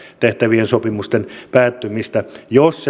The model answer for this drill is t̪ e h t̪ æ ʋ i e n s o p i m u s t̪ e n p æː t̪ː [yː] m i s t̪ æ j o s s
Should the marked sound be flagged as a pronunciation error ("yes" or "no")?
yes